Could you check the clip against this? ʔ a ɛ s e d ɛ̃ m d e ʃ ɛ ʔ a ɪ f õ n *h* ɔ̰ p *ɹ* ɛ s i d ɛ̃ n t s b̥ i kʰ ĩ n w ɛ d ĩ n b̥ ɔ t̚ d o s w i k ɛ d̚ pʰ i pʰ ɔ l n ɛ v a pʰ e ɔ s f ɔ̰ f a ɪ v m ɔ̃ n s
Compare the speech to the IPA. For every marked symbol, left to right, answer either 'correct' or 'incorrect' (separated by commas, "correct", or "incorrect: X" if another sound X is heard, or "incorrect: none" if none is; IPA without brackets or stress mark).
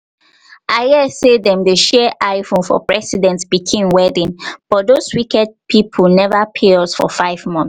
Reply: incorrect: f, correct